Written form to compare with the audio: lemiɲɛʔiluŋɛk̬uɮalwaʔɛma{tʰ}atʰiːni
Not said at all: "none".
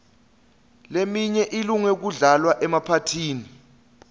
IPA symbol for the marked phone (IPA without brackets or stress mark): pʰ